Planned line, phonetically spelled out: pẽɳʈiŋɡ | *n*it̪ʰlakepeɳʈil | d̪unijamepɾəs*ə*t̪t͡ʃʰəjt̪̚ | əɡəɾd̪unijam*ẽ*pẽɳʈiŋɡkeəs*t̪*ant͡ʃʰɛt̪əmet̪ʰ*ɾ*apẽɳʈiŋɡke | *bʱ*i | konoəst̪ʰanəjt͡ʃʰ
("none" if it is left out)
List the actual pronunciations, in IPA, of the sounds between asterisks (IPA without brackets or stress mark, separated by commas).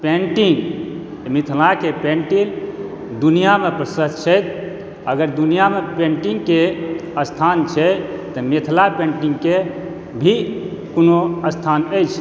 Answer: m, ə, e, t̪ʰ, l, bʱ